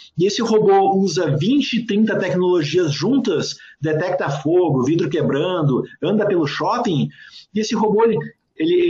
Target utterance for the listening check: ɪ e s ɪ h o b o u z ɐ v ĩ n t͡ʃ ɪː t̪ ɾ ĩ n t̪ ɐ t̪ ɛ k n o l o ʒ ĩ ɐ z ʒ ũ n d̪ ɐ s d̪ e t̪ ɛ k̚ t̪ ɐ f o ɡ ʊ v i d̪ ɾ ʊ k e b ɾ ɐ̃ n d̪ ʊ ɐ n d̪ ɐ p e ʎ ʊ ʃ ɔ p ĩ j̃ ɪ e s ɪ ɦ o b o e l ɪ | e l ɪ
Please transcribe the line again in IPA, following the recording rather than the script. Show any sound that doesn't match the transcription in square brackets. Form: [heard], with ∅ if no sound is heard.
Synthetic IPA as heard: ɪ e s ɪ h o b o u z ɐ v ĩ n t͡ʃ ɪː t̪ ɾ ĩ n t̪ ɐ t̪ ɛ k n o l o ʒ [i] ɐ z ʒ ũ n [t̪] ɐ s d̪ e t̪ ɛ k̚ t̪ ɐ f o ɡ ʊ v i d̪ ɾ ʊ k e b ɾ ɐ̃ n d̪ ʊ [ɐ̃] n d̪ ɐ p e [l] ʊ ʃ ɔ p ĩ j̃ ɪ e s ɪ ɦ o b o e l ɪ | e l ɪ